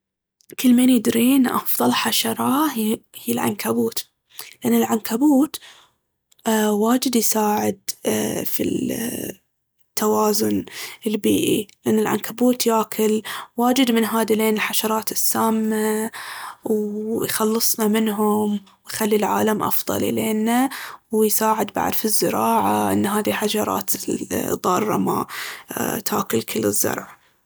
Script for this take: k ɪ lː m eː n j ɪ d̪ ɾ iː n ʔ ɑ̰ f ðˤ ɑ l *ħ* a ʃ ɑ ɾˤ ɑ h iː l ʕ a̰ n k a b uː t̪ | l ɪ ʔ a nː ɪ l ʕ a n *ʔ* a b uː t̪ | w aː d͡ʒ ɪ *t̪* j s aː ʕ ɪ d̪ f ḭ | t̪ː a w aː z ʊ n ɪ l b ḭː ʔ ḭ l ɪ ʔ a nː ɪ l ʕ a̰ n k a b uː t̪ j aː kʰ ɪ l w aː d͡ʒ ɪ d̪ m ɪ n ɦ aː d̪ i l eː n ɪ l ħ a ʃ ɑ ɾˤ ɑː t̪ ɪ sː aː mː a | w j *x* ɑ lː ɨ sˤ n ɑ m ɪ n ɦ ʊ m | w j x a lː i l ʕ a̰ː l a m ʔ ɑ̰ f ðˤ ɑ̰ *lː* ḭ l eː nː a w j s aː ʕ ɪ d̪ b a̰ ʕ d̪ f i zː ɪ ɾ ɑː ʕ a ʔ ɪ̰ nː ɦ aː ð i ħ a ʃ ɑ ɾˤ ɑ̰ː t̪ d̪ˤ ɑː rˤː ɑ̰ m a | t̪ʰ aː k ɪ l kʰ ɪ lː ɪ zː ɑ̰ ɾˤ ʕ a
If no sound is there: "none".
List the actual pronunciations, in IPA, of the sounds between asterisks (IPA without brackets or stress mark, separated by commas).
ħ, k, d̪, x, l